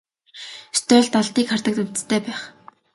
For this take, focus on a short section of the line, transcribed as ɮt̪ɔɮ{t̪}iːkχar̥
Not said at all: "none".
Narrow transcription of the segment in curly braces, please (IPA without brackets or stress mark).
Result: t̪